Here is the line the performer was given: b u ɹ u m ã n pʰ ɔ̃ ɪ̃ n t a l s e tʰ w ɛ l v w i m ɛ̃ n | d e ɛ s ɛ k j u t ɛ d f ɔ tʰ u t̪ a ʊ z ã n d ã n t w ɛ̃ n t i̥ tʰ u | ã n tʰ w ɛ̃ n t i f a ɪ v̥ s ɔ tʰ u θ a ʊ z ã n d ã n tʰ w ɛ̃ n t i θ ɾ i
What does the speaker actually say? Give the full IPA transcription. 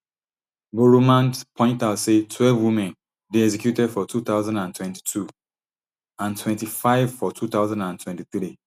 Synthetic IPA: b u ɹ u m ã n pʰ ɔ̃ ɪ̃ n t a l s e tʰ w ɛ l v w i m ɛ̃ n | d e ɛ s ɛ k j u t ɛ d f ɔ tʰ u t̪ a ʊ z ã n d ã n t w ɛ̃ n t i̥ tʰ u | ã n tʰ w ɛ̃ n t i f a ɪ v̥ f ɔ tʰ u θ a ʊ z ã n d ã n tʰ w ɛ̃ n t i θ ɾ i